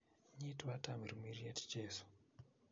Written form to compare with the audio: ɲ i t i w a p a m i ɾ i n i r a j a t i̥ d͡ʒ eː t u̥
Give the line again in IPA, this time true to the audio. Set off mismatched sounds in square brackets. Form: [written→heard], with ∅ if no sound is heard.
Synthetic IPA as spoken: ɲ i t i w a [p→t] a m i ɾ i [n→m] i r [a→i] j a t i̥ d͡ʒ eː [t→s] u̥